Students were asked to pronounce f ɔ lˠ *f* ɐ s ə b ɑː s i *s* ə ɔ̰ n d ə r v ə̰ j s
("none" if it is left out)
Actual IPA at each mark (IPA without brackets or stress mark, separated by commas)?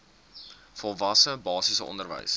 v, s